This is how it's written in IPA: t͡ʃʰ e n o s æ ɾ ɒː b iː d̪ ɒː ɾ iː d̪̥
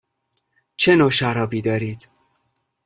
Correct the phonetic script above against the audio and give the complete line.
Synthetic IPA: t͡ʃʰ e n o ʃ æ ɾ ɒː b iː d̪ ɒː ɾ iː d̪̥